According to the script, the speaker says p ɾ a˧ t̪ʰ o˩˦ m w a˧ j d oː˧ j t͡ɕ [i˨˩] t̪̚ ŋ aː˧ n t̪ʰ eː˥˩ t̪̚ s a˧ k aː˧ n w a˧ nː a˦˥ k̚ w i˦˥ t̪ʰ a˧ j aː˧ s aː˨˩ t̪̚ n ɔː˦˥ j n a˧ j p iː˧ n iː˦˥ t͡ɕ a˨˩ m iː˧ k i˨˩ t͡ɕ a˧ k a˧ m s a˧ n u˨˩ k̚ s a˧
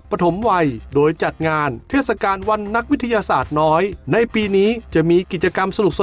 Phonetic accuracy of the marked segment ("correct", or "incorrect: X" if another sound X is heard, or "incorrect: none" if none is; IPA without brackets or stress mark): incorrect: a˨˩